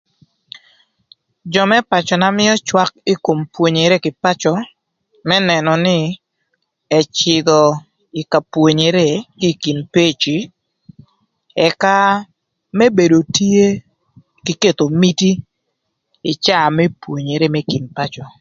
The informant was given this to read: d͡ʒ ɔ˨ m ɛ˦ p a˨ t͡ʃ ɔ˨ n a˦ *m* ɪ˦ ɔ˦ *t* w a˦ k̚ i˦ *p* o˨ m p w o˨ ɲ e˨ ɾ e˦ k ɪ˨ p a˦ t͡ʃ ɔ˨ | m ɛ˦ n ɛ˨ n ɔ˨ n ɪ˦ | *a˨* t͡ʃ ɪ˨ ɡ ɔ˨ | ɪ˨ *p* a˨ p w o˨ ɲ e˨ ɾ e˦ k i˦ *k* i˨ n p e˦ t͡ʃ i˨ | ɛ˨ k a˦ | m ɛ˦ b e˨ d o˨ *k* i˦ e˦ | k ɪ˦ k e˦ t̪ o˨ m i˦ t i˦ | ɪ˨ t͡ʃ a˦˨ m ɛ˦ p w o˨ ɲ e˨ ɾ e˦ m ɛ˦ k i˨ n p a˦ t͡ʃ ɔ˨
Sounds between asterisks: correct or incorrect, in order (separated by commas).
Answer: correct, incorrect, incorrect, incorrect, incorrect, correct, incorrect